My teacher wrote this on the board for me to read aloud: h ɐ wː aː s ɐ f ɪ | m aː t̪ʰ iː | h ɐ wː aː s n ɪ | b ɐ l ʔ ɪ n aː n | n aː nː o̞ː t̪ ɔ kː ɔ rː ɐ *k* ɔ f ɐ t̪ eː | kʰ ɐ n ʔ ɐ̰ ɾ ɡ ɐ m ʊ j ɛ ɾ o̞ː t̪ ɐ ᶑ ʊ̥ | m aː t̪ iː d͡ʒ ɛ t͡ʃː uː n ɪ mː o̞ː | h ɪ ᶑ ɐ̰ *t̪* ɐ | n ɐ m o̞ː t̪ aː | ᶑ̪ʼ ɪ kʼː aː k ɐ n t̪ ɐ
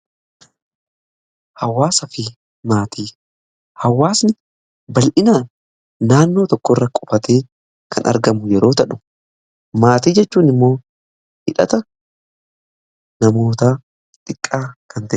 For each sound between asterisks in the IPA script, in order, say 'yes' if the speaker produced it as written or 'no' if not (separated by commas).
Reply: no, yes